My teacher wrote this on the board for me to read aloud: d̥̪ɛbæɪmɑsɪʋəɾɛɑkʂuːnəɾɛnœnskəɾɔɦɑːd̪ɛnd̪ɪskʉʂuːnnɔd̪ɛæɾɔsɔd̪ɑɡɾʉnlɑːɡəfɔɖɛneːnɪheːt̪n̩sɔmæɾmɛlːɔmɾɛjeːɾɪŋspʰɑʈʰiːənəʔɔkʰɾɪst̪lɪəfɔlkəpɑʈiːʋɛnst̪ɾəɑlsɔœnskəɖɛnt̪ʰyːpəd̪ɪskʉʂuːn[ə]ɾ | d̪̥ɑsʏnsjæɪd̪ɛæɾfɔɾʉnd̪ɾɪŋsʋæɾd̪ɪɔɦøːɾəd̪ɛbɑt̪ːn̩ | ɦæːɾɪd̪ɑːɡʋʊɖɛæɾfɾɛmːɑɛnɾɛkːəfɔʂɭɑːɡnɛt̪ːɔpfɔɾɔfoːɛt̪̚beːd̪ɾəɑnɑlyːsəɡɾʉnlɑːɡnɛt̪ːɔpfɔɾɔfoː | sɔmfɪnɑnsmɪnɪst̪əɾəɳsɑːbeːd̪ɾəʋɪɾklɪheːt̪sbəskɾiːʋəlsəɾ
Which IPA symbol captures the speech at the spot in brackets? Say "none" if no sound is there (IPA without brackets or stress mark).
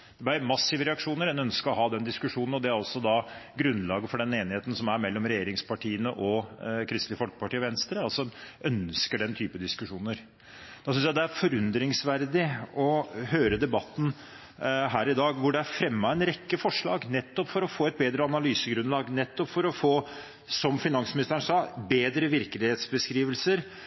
ə